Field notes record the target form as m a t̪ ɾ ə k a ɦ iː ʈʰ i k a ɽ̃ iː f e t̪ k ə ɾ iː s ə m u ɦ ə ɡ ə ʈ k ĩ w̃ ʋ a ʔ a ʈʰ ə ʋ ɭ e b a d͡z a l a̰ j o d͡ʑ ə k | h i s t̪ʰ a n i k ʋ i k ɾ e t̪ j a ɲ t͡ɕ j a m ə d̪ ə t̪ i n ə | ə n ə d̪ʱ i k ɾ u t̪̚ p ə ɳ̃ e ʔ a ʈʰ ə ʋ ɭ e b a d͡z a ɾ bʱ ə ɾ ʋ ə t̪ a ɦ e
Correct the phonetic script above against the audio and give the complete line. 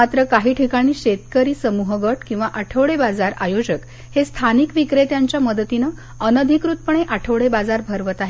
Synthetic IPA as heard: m a t̪ ɾ ə k a ɦ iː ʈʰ i k a ɽ̃ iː ɕ e t̪ k ə ɾ iː s ə m u ɦ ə ɡ ə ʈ k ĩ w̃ ʋ a ʔ a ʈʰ ə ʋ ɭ e b a d͡z a ɾ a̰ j o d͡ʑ ə k | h e s t̪ʰ a n i k ʋ i k ɾ e t̪ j a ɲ t͡ɕ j a m ə d̪ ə t̪ i n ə | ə n ə d̪ʱ i k ɾ u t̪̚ p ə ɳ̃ e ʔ a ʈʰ ə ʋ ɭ e b a d͡z a ɾ bʱ ə ɾ ʋ ə t̪ a ɦ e